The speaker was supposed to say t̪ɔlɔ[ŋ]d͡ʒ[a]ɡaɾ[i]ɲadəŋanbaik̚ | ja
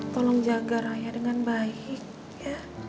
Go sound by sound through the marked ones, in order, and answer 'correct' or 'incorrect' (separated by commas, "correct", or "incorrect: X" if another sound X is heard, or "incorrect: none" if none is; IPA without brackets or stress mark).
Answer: correct, correct, incorrect: a